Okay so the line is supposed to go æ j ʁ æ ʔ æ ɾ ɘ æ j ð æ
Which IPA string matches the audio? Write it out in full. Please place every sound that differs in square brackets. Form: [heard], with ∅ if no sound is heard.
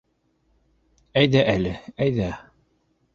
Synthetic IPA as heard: æ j [ð] æ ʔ æ [l] ɘ æ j ð æ